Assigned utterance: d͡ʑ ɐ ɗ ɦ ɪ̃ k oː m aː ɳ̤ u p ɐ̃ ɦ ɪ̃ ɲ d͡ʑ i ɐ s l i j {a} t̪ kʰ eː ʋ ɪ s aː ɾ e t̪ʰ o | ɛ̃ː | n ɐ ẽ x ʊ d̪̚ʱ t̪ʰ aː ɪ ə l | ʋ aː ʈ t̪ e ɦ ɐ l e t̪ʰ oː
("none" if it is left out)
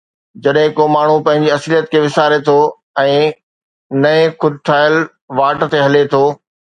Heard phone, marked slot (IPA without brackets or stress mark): ə